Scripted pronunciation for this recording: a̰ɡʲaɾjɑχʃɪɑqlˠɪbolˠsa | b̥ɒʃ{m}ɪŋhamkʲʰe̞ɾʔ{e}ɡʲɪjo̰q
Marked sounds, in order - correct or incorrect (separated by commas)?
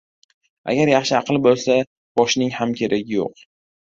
incorrect, incorrect